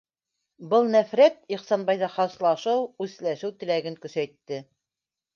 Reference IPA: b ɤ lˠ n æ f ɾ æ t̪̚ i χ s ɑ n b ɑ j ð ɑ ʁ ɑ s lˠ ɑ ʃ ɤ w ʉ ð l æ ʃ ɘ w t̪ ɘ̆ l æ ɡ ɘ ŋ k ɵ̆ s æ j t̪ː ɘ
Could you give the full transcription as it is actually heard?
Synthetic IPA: b ɤ lˠ n æ f ɾ æ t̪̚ i χ s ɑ n b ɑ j ð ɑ χ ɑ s lˠ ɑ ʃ ɤ w ʉ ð l æ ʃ ɘ w t̪ ɘ̆ l æ ɡ ɘ ŋ k ɵ̆ s æ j t̪ː ɘ